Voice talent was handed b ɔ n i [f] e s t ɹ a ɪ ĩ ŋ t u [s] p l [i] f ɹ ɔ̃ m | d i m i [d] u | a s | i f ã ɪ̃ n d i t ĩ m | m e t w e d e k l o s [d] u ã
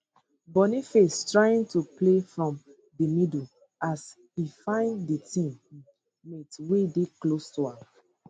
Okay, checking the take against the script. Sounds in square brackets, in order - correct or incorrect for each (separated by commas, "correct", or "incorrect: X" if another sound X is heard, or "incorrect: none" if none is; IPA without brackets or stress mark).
correct, incorrect: none, incorrect: e, correct, incorrect: t